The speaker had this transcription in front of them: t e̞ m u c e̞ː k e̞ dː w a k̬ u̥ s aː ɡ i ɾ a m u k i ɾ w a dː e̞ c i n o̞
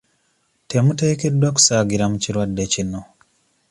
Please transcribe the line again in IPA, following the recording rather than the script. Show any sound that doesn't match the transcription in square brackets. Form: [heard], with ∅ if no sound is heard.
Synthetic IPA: t e̞ m u [t] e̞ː k e̞ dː w a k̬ u̥ s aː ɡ i ɾ a m u [c] i ɾ w a dː e̞ c i n o̞